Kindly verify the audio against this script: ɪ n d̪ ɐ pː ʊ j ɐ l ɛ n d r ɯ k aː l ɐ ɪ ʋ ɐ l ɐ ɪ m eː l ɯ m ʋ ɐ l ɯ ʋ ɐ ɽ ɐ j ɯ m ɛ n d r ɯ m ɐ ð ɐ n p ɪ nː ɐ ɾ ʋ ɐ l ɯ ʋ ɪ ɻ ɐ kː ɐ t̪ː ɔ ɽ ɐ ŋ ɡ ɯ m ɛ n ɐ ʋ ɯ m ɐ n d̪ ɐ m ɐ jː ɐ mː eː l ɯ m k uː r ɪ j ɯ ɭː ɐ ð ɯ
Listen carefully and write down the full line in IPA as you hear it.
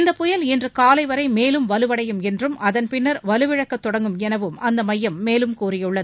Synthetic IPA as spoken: ɪ n d̪ ɐ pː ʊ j ɐ l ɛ n d r ɯ k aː l ɐ ɪ ʋ ɐ ɾ ɐ ɪ m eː l ɯ m ʋ ɐ l ɯ ʋ ɐ ɽ ɐ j ɯ m ɛ n d r ɯ m ɐ ð ɐ n p ɪ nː ɐ ɾ ʋ ɐ l ɯ ʋ ɪ ɻ ɐ kː ɐ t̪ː ɔ ɽ ɐ ŋ ɡ ɯ m ɛ n ɐ ʋ ɯ m ɐ n d̪ ɐ m ɐ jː ɐ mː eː l ɯ m k uː r ɪ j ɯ ɭː ɐ ð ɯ

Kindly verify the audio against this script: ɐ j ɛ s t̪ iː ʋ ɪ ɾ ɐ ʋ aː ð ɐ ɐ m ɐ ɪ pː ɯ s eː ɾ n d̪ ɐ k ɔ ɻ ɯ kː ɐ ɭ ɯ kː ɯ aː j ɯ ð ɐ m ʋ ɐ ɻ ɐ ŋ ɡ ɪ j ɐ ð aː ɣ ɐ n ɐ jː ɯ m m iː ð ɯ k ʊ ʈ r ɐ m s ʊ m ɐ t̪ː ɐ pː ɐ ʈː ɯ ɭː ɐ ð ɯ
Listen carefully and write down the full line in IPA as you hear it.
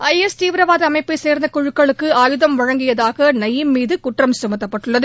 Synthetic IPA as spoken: ɐ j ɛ s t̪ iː ʋ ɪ ɾ ɐ ʋ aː ð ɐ ɐ m ɐ ɪ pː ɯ s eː ɾ n d̪ ɐ k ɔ ɻ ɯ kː ɐ ɭ ɯ kː ɯ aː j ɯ ð ɐ m ʋ ɐ ɻ ɐ ŋ ɡ ɪ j ɐ ð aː ɣ ɐ n ɐ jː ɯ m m iː ð ɯ k ʊ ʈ r ɐ m s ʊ m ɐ t̪ː ɐ pː ɐ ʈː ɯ ɭː ɐ ð ɯ

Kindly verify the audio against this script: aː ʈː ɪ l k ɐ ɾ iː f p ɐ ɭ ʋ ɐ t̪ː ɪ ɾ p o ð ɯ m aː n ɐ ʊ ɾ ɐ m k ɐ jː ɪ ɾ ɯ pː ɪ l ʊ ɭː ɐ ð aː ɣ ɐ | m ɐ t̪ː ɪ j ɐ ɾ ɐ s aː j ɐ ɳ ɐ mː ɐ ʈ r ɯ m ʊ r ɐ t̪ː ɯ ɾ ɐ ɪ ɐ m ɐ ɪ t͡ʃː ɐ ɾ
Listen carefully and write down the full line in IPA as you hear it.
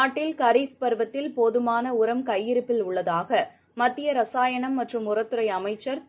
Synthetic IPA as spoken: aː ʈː ɪ l k ɐ ɾ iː f p ɐ ɾ ʋ ɐ t̪ː ɪ l p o ð ɯ m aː n ɐ ʊ ɾ ɐ m k ɐ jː ɪ ɾ ɯ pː ɪ l ʊ ɭː ɐ ð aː ɣ ɐ | m ɐ t̪ː ɪ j ɐ ɾ ɐ s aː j ɐ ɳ ɐ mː ɐ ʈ r ɯ m ʊ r ɐ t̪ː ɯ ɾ ɐ ɪ ɐ m ɐ ɪ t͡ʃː ɐ ɾ

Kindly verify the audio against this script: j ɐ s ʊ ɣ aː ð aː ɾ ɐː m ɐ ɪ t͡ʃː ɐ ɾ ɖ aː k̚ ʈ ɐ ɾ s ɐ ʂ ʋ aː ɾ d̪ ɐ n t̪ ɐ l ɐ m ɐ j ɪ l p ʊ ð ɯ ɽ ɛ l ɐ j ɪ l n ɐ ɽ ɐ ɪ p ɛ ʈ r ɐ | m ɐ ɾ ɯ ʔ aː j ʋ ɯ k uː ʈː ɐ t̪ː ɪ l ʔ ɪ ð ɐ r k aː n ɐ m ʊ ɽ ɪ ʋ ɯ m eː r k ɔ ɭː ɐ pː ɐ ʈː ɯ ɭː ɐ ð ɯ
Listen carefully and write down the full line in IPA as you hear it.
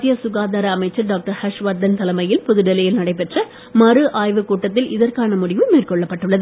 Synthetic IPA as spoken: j ɐ s ʊ ɣ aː ð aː ɾ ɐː m ɐ ɪ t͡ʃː ɐ ɾ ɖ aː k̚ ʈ ɐ ɾ h ɐ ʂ ʋ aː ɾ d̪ ɐ n t̪ ɐ l ɐ m ɐ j ɪ l p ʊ ð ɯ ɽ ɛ l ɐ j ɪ l n ɐ ɽ ɐ ɪ p ɛ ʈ r ɐ | m ɐ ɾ ɯ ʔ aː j ʋ ɯ k uː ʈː ɐ t̪ː ɪ l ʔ ɪ ð ɐ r k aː n ɐ m ʊ ɽ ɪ ʋ ɯ m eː r k ɔ ɭː ɐ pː ɐ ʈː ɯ ɭː ɐ ð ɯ

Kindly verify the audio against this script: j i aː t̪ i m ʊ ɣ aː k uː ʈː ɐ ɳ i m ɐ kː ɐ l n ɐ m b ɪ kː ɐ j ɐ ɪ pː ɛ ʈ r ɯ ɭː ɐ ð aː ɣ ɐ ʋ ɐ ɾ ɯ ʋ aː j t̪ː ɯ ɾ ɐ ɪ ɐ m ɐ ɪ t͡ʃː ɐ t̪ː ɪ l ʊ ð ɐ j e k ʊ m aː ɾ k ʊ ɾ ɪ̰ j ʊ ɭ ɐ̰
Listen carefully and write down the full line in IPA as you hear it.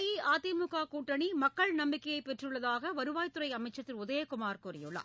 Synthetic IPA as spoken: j i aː t̪ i m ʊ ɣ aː k uː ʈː ɐ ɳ i m ɐ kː ɐ ɭ n ɐ m b ɪ kː ɐ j ɐ ɪ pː ɛ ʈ r ɯ ɭː ɐ ð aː ɣ ɐ ʋ ɐ ɾ ɯ ʋ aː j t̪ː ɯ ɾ ɐ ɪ ɐ m ɐ ɪ t͡ʃː ɐ t̪ː ɪ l ʊ ð ɐ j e k ʊ m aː ɾ k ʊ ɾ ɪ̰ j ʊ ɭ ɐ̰

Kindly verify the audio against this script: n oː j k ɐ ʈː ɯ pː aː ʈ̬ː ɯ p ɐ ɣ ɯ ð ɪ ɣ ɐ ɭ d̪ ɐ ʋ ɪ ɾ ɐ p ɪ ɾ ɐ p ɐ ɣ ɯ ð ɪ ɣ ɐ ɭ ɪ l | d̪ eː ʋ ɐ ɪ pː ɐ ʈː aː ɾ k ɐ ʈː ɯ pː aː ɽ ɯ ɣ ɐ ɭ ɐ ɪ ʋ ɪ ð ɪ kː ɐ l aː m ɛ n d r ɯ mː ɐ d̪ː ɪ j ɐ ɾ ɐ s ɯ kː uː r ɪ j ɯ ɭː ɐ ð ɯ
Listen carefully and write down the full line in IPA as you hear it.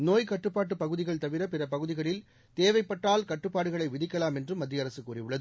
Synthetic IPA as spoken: n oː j k ɐ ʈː ɯ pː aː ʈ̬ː ɯ p ɐ ɣ ɯ ð ɪ ɣ ɐ ɭ t̪ ɐ ʋ ɪ ɾ ɐ p ɪ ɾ ɐ p ɐ ɣ ɯ ð ɪ ɣ ɐ ɭ ɪ l | t̪ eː ʋ ɐ ɪ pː ɐ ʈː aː l k ɐ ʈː ɯ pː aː ɽ ɯ ɣ ɐ ɭ ɐ ɪ ʋ ɪ ð ɪ kː ɐ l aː m ɛ n d r ɯ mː ɐ d̪ː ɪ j ɐ ɾ ɐ s ɯ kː uː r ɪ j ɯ ɭː ɐ ð ɯ

